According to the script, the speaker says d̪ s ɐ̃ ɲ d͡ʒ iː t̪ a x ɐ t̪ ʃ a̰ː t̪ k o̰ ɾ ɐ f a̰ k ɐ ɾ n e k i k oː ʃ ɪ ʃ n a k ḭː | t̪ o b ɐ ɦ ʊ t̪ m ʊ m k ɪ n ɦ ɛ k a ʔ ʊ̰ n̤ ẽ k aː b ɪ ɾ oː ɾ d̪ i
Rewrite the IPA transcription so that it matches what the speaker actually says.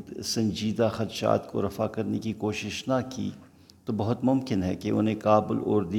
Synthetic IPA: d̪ s ɐ̃ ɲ d͡ʒ iː d̪ a x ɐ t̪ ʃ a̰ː t̪ k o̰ ɾ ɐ f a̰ k ɐ ɾ n e k i k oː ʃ ɪ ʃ n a k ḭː | t̪ o b ɐ ɦ ʊ t̪ m ʊ m k ɪ n ɦ ɛ k e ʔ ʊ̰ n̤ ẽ k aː b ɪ l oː ɾ d̪ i